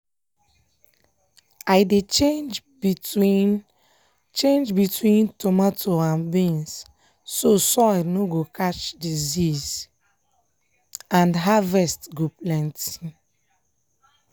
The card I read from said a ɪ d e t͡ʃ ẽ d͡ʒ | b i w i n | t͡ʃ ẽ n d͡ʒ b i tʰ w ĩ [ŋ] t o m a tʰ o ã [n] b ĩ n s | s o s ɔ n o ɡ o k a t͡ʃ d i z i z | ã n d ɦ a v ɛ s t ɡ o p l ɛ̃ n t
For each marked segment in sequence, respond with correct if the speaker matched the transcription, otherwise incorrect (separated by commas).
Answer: incorrect, correct